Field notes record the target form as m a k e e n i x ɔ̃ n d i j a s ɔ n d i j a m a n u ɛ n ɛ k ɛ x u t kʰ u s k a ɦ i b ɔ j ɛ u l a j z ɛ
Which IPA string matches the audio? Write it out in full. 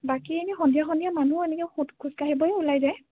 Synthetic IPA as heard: b a k i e n i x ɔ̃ n d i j a x ɔ n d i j a m a n u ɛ n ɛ k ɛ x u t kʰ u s k a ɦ i b ɔ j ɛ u l a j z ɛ